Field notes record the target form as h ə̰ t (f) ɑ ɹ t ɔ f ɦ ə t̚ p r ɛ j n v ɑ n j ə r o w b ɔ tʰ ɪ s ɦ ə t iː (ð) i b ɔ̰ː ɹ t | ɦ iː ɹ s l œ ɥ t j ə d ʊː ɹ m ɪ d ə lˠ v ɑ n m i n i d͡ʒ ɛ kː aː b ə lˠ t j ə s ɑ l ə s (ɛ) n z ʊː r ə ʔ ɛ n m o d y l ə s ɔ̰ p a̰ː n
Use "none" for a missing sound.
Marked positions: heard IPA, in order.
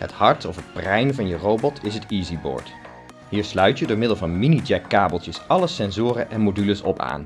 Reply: h, z, ɛ

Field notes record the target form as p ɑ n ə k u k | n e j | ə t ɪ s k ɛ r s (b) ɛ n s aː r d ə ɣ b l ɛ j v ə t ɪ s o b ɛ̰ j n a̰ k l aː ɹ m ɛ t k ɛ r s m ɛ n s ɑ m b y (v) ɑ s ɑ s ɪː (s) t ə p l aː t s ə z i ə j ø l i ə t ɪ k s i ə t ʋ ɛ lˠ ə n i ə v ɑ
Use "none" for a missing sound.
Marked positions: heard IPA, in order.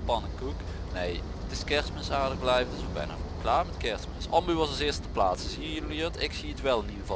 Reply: m, ʋ, s

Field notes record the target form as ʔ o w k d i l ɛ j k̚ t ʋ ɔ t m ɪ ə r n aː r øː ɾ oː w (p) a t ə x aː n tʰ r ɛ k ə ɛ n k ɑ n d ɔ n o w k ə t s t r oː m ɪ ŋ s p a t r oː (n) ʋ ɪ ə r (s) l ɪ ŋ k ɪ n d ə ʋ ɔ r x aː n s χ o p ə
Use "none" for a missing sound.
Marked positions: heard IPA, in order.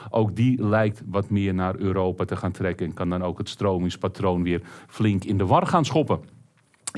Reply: p, n, f

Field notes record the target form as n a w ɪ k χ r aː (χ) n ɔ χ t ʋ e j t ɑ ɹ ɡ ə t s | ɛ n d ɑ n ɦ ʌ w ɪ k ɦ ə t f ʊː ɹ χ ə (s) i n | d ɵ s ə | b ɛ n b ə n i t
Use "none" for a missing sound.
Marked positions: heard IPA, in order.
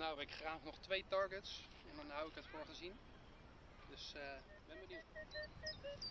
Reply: χ, z

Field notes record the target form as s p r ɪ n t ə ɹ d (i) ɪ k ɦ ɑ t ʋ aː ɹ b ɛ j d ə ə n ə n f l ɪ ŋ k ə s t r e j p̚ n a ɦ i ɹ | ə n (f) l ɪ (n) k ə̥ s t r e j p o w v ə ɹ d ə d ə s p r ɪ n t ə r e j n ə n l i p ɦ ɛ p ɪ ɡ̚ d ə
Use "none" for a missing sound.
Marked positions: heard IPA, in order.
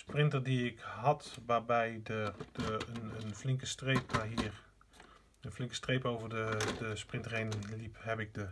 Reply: i, f, ŋ

